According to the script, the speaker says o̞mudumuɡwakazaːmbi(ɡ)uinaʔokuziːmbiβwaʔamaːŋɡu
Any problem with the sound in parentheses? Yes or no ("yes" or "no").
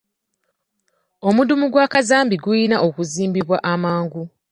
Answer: no